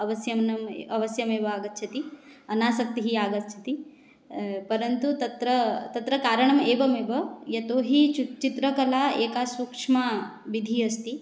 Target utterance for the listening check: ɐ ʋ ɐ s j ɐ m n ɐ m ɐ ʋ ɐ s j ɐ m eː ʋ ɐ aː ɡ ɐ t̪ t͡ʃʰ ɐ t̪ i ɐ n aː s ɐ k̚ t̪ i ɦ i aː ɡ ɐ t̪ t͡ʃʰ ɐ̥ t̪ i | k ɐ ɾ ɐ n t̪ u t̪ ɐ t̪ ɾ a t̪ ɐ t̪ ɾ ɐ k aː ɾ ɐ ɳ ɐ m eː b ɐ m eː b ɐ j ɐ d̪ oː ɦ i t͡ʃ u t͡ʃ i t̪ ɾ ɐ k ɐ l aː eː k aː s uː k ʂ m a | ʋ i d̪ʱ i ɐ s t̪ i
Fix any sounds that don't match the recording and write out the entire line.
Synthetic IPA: ɐ ʋ ɐ s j ɐ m n ɐ m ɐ ʋ ɐ s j ɐ m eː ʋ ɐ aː ɡ ɐ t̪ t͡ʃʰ ɐ t̪ i ɐ n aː s ɐ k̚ t̪ i ɦ i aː ɡ ɐ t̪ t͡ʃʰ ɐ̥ t̪ i | p ɐ ɾ ɐ n t̪ u t̪ ɐ t̪ ɾ ɐ t̪ ɐ t̪ ɾ ɐ k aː ɾ ɐ ɳ ɐ m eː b ɐ m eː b ɐ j ɐ t̪ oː ɦ i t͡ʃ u t͡ʃ i t̪ ɾ ɐ k ɐ l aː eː k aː s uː k ʂ m a | ʋ i d̪ʱ i ɐ s t̪ i